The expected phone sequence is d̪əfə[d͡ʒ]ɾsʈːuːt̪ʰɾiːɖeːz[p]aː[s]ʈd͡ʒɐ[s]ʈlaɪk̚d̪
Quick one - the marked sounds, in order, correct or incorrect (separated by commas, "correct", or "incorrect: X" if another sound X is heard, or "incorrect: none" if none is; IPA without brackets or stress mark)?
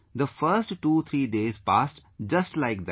incorrect: none, correct, correct, correct